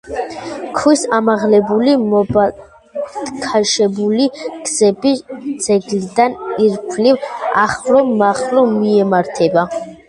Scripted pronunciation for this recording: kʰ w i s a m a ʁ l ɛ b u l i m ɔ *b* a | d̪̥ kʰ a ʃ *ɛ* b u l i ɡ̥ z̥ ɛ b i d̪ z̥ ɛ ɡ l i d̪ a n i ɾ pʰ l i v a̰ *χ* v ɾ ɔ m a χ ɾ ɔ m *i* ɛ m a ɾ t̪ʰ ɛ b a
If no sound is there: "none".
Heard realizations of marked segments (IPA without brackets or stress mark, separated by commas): b, ɛ, χ, i